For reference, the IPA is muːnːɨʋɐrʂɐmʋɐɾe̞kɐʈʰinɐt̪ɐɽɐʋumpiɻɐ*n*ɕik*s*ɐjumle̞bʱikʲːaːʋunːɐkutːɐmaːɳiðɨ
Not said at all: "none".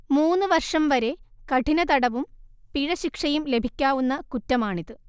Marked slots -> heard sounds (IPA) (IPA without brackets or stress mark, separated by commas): none, ʂ